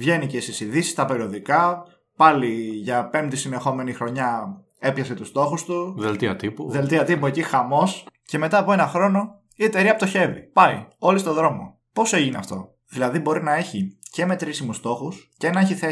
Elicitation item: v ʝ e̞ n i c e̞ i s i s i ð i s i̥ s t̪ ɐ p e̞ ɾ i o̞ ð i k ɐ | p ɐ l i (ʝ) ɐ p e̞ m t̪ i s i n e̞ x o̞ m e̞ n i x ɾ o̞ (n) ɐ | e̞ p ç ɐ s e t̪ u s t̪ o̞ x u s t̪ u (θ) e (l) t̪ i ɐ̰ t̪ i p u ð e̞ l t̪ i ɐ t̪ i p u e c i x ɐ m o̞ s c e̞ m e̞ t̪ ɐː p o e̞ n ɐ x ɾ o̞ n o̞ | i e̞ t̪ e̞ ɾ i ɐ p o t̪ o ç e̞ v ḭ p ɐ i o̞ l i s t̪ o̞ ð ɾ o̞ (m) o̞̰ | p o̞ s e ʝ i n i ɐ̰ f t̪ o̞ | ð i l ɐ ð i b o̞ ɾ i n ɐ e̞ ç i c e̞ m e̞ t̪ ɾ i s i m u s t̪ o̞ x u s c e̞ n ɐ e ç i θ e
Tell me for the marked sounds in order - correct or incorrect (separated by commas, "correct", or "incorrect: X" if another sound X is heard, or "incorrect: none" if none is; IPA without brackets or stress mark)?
correct, incorrect: ɲ, incorrect: ð, correct, correct